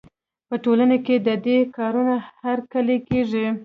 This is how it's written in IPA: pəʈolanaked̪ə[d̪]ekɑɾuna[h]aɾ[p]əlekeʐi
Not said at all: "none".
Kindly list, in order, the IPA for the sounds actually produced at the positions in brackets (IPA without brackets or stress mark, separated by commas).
d̪, h, k